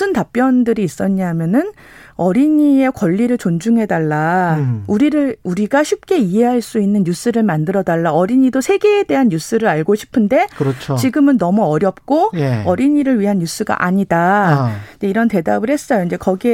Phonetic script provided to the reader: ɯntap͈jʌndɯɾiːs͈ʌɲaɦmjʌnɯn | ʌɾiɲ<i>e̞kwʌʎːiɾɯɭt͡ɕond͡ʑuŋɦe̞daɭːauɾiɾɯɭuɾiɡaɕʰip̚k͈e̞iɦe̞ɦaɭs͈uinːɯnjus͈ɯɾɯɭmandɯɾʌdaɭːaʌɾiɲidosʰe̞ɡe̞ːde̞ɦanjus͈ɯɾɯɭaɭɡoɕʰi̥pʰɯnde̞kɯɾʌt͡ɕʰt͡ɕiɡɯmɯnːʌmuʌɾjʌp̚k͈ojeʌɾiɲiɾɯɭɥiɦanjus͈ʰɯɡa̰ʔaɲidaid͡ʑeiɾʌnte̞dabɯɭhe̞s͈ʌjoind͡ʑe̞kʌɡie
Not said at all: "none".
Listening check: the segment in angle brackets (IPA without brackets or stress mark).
i